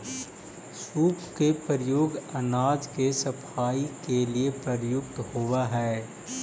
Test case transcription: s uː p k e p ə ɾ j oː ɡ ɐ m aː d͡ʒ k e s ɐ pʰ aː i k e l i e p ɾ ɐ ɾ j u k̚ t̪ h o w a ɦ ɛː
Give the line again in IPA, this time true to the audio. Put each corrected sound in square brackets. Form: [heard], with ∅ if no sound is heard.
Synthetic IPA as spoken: s uː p k e p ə ɾ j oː ɡ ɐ [n] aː d͡ʒ k e s ɐ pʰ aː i k e l i e p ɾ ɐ ɾ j [ʊ] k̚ t̪ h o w a ɦ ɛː